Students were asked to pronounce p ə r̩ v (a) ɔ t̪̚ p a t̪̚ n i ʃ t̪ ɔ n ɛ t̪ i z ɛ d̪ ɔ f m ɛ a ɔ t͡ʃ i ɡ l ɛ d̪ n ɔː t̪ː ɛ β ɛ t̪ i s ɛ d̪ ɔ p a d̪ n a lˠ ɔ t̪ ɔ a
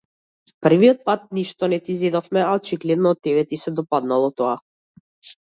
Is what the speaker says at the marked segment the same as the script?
no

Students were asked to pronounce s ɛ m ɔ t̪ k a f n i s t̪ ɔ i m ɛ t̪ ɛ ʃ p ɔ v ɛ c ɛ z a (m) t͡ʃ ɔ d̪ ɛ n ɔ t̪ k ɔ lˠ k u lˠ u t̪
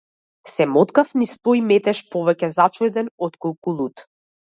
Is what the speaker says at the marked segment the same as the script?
no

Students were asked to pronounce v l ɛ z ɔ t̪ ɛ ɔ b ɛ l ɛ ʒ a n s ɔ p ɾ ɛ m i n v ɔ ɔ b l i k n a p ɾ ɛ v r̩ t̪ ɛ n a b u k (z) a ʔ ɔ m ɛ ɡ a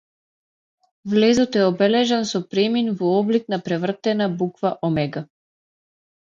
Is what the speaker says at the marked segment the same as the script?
no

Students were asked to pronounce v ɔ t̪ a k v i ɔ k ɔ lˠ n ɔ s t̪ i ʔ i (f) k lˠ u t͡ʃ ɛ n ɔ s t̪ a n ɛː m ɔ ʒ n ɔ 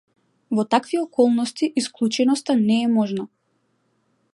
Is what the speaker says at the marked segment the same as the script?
no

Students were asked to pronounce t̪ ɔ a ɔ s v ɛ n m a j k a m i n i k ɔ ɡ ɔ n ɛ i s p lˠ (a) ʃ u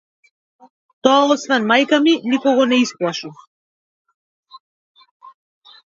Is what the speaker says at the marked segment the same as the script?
yes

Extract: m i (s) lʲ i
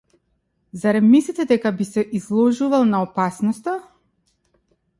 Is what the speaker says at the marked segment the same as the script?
yes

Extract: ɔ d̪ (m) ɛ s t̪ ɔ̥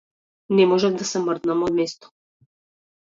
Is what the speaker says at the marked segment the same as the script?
yes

